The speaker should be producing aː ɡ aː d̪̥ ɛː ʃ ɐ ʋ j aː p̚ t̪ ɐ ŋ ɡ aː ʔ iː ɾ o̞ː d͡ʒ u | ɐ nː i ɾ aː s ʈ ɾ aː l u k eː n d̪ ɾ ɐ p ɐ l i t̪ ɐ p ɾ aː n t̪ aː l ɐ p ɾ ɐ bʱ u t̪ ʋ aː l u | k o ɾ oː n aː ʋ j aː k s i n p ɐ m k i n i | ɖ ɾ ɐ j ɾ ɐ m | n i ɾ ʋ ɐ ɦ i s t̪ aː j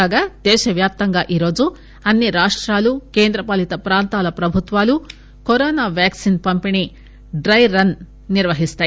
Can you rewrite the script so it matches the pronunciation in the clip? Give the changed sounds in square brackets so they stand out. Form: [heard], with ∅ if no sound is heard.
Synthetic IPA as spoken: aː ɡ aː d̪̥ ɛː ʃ ɐ ʋ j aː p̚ t̪ ɐ ŋ ɡ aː ʔ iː ɾ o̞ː d͡ʒ u | ɐ nː i ɾ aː [ʂ] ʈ ɾ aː l u k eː n d̪ ɾ ɐ p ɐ l i t̪ ɐ p ɾ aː n t̪ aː l ɐ p ɾ ɐ bʱ u t̪ ʋ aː l u | k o ɾ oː n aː ʋ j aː k s i n p ɐ m [p] i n i | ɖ ɾ ɐ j ɾ ɐ [n] | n i ɾ ʋ ɐ ɦ i s t̪ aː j